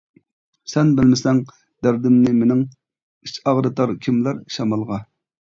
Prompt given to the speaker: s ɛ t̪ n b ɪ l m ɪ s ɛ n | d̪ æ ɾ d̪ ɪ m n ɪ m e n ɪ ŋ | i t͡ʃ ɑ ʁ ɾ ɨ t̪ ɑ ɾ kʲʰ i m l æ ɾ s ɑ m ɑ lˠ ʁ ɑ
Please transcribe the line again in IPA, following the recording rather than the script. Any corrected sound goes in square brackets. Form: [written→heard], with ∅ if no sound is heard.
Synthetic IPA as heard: s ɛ [t̪→∅] n b ɪ l m ɪ s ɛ [n→ŋ] | d̪ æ ɾ d̪ ɪ m n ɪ m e n ɪ ŋ | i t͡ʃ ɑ ʁ ɾ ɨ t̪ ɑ ɾ kʲʰ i m l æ ɾ [s→ʃ] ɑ m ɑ lˠ ʁ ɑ